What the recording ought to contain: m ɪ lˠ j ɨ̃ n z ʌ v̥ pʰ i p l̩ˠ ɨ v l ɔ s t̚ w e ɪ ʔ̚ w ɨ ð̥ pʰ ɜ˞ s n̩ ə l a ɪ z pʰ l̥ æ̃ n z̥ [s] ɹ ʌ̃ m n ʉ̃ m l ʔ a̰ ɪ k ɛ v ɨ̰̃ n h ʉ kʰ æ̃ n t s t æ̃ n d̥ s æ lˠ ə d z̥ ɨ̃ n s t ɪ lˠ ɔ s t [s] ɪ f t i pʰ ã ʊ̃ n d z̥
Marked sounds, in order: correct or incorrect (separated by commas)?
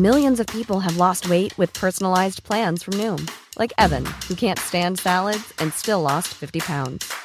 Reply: incorrect, incorrect